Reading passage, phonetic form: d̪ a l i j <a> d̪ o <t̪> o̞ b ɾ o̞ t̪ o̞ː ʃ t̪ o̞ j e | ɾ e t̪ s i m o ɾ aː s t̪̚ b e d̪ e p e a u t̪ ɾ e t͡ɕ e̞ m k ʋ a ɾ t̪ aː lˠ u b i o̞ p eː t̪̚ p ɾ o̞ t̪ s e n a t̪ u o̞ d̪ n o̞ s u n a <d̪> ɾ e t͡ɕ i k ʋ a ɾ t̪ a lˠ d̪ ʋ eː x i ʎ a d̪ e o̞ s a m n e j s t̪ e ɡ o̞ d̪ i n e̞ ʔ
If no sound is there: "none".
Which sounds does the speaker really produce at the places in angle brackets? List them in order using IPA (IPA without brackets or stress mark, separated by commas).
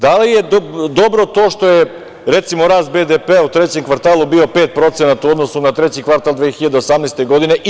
e, d̪, t̪